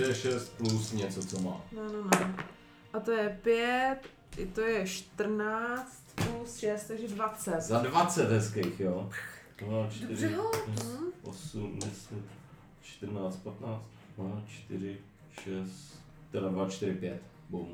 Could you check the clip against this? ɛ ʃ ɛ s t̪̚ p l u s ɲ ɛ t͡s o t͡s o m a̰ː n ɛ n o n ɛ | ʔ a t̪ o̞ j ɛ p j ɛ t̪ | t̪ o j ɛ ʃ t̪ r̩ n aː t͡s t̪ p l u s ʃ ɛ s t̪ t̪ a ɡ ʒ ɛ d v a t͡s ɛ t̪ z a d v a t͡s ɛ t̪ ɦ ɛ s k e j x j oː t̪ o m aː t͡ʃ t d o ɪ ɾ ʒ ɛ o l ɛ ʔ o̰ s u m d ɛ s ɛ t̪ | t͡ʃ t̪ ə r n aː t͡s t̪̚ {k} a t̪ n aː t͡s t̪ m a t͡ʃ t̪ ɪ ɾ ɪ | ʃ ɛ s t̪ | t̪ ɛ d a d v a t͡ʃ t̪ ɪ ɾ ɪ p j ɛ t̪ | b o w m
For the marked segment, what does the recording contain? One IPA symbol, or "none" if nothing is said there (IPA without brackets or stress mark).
p